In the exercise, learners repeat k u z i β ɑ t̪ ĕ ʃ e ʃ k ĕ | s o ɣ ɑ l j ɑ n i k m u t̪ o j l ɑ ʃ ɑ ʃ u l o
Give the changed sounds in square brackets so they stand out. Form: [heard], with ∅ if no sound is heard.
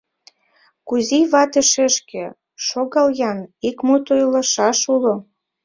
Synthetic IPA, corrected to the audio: k u z i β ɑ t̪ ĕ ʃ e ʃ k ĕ | [ʃ] o ɣ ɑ l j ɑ n i k m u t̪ o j l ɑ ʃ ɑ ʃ u l o

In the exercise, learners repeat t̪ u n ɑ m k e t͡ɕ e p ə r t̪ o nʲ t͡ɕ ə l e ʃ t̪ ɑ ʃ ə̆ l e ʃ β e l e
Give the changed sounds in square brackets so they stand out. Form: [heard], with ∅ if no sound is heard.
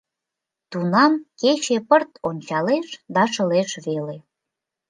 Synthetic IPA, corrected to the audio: t̪ u n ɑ m k e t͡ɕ e p ə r t̪ o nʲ t͡ɕ [ɑ] l e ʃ [d̪] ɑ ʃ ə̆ l e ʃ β e l e

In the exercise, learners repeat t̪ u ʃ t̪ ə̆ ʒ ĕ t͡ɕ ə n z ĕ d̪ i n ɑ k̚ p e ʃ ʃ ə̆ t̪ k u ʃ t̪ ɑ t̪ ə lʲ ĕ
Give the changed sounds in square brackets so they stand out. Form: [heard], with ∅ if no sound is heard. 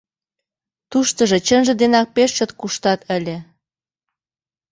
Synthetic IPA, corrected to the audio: t̪ u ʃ t̪ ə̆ ʒ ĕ t͡ɕ ə n [ʒ] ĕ d̪ [e] n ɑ k̚ p e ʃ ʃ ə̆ t̪ k u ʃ t̪ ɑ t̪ ə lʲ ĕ

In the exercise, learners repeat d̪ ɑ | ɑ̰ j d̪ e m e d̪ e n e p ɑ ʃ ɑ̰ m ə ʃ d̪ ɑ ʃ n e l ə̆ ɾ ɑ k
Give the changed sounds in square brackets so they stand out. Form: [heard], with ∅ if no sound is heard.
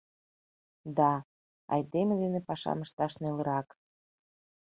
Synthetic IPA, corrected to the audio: d̪ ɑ | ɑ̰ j d̪ e m e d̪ e n e p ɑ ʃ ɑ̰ m ə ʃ [t̪] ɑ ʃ n e l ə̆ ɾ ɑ k

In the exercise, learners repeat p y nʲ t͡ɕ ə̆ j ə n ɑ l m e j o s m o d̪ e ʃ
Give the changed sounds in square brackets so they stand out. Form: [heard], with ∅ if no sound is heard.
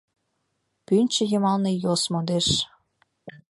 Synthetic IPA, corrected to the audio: p y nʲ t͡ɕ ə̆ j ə [m] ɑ l [n] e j o s m o d̪ e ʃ

